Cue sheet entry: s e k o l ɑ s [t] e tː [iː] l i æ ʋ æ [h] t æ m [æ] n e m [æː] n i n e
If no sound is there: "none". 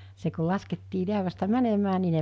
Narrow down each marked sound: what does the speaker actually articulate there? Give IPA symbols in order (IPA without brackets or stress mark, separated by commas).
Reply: k, iː, s, æ, æː